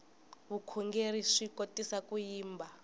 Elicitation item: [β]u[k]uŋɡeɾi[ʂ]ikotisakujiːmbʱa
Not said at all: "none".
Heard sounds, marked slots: β, kʰ, ʂ

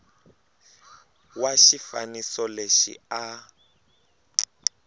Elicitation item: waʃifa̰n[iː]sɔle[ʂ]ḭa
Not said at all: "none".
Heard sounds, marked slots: i, ʃ

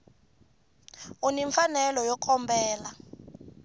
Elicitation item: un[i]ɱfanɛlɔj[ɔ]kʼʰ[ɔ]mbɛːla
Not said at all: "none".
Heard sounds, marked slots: i, ɔ, ɔ

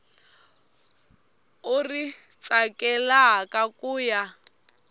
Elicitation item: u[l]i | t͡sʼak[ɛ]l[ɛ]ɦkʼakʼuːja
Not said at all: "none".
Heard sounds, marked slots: r, ɛ, a

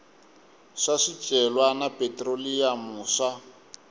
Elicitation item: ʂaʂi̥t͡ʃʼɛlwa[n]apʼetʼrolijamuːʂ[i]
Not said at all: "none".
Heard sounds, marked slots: n, a

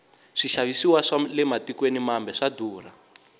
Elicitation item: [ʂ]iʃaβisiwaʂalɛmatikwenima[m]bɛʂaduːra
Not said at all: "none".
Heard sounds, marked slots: ʂ, m

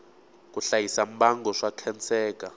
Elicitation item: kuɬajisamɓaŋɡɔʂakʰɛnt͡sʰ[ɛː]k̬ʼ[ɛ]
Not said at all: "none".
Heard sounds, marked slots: ɛː, a

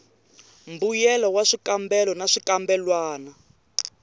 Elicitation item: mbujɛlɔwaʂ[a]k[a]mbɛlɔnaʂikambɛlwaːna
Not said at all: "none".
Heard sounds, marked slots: i, a

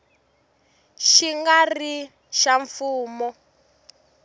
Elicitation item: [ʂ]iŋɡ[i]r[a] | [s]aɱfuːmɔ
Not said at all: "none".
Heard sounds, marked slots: ʃ, a, i, ʃ

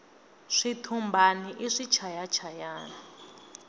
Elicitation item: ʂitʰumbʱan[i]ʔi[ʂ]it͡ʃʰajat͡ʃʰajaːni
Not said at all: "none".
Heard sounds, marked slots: i, ʂ

